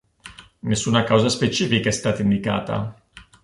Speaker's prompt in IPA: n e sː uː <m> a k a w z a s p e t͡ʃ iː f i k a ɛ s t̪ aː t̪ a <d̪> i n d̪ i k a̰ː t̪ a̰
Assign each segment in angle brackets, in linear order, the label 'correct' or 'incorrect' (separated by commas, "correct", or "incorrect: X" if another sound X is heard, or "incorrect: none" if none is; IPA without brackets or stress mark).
incorrect: n, incorrect: none